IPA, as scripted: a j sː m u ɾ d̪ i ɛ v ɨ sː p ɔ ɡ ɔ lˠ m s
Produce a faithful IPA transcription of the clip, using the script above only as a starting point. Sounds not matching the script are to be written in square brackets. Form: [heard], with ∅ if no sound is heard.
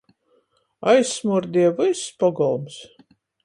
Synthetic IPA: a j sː m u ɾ d̪ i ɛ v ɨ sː p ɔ ɡ ɔ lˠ m s